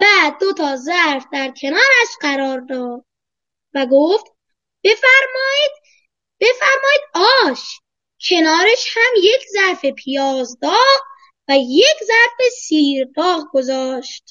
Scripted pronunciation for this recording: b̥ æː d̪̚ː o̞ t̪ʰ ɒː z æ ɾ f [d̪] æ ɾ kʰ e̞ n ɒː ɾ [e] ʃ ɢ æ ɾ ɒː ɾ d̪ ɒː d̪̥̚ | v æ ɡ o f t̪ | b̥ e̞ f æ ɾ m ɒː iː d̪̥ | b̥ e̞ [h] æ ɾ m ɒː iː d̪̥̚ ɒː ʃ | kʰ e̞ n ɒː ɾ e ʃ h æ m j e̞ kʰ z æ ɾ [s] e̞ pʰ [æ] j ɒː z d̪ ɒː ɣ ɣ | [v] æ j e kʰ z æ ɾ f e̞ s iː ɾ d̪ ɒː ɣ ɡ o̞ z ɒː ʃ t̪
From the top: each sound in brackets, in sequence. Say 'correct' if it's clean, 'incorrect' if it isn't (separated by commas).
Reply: correct, incorrect, incorrect, incorrect, incorrect, correct